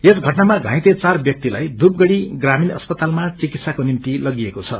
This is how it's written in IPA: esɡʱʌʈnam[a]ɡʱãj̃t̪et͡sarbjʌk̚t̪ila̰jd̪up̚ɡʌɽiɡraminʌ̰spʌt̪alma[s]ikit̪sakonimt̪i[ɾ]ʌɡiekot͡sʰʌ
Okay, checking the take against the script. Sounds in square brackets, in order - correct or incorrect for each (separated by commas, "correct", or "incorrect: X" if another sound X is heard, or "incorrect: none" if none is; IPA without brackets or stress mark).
correct, incorrect: t͡s, incorrect: l